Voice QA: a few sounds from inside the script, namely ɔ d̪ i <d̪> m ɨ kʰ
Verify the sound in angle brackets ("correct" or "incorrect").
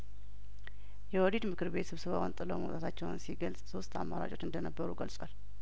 correct